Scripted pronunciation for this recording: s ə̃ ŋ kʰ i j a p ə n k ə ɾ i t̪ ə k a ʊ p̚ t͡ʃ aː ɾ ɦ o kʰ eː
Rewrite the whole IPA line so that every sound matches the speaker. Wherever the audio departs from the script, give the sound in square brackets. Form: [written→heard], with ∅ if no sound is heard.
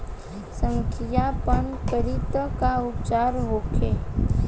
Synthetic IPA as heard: s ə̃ ŋ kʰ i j a p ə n k ə ɾ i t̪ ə k a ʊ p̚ t͡ʃ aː ɾ ɦ o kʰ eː